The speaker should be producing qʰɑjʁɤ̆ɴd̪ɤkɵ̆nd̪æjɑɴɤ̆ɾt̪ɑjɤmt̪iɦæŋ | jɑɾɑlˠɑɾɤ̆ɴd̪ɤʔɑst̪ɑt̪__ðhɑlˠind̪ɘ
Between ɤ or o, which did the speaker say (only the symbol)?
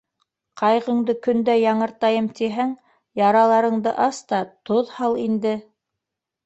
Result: o